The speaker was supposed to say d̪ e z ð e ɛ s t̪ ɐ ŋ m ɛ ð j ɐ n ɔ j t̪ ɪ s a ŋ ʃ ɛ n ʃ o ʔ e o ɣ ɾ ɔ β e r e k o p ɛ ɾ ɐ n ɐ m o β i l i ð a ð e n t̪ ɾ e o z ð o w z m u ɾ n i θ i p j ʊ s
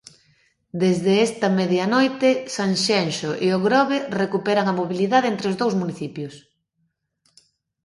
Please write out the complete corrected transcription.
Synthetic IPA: d̪ e z ð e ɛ s t̪ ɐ m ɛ ð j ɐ n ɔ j t̪ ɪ s a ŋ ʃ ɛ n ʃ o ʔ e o ɣ ɾ ɔ β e r e k u p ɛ ɾ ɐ ŋ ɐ m o β i l i ð a ð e n t̪ ɾ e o z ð o w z m u n i θ i p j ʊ s